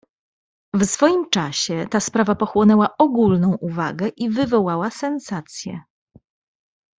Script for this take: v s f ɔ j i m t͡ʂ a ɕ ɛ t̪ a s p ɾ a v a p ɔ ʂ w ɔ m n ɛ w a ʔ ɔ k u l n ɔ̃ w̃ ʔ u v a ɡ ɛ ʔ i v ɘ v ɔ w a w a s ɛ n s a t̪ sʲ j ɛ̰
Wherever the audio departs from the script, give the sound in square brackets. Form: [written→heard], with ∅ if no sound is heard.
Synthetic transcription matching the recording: v s f ɔ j i m t͡ʂ a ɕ ɛ t̪ a s p ɾ a v a p ɔ [ʂ→x] w ɔ [m→∅] n ɛ w a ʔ ɔ [k→ɡ] u l n ɔ̃ w̃ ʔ u v a ɡ ɛ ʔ i v ɘ v ɔ w a w a s ɛ n s a t̪ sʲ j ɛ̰